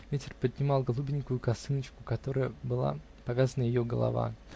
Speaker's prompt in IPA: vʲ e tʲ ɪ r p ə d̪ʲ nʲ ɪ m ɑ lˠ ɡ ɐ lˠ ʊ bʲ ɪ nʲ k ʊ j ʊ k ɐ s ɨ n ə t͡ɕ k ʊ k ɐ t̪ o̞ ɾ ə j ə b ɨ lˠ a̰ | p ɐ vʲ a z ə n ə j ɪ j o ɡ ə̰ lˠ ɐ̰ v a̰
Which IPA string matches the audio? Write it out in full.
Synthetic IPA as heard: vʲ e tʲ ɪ r p ə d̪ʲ nʲ ɪ m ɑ lˠ ɡ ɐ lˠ u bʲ ɪ nʲ k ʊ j ʊ k ɐ s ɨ n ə t͡ɕ k ʊ k ɐ t̪ o̞ ɾ ə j ə b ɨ lˠ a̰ | p ɐ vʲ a z ə n ə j ɪ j o ɡ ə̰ lˠ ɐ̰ v a̰